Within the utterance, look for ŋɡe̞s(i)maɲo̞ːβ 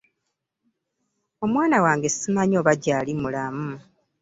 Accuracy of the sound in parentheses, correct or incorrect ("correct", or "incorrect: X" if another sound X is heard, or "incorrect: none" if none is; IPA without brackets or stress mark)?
correct